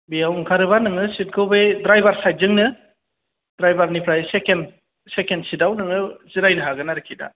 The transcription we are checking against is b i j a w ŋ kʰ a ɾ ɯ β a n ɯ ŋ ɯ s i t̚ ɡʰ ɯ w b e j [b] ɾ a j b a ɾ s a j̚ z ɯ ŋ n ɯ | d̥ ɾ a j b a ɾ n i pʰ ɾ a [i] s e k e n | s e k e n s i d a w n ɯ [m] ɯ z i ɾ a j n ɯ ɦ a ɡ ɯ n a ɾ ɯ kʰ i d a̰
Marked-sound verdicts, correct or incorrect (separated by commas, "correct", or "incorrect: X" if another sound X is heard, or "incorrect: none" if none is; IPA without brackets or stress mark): incorrect: d, incorrect: j, incorrect: ŋ